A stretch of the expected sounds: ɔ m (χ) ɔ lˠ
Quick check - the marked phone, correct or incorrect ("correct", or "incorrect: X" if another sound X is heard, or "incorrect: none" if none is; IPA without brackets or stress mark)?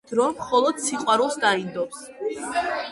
correct